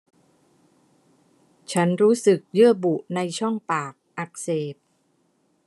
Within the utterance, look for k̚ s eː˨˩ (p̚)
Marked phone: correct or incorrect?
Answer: correct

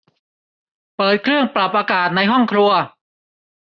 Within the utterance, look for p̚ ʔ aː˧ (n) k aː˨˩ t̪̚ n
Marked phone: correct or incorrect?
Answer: incorrect: none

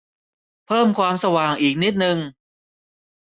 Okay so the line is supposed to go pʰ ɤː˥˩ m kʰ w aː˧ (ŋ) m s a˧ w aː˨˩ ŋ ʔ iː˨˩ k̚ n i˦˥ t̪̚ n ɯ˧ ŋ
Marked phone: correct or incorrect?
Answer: incorrect: none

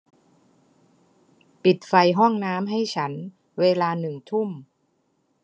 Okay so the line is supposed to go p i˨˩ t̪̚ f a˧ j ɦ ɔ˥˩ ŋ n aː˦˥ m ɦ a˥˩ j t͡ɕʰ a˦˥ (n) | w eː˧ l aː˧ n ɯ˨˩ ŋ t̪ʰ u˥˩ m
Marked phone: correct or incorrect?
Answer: correct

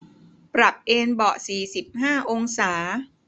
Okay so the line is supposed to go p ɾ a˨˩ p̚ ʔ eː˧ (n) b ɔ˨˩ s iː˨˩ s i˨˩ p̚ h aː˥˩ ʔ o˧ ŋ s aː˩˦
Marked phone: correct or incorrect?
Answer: correct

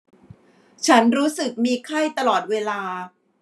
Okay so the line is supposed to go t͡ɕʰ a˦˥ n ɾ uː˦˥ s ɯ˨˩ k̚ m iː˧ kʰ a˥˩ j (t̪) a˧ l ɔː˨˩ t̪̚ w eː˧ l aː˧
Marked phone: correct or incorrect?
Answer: correct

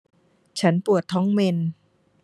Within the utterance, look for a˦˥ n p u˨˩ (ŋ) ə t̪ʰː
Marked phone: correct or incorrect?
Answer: incorrect: none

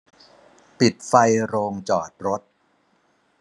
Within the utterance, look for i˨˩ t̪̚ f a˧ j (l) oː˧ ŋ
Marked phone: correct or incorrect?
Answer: incorrect: ɾ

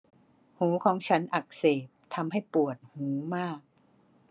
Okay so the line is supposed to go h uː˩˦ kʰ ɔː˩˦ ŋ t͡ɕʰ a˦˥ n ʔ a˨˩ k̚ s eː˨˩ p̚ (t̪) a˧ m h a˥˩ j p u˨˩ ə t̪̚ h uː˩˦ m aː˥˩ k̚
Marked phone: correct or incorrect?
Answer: incorrect: t̪ʰ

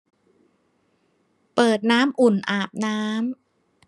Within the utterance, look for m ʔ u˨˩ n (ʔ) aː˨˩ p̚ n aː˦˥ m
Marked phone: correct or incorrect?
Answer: correct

